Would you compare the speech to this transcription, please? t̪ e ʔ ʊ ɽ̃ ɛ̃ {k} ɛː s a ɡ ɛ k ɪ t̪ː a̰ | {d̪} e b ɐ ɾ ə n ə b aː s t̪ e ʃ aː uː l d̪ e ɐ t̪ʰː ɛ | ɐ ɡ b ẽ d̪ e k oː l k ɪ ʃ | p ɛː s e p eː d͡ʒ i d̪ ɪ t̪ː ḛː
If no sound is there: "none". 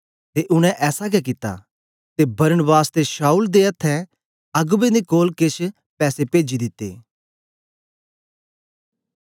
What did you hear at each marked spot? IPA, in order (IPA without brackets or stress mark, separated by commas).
ʔ, t̪